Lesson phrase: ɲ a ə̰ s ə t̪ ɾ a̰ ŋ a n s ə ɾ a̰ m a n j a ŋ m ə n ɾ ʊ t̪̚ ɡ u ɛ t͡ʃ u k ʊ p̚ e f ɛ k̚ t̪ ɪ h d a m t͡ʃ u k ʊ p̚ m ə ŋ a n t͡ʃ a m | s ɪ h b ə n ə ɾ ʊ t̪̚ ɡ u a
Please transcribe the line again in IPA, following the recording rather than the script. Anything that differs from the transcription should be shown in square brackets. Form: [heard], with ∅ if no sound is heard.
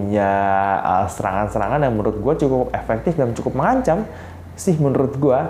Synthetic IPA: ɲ a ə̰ s ə [∅] ɾ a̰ ŋ a n s ə ɾ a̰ [ŋ] a n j a ŋ m ə n ɾ ʊ t̪̚ ɡ u [a] t͡ʃ u k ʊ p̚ e f ɛ k̚ t̪ ɪ [f] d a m t͡ʃ u k ʊ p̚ m ə ŋ a [ɲ] t͡ʃ a m | s ɪ h [m] ə n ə ɾ ʊ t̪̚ ɡ u a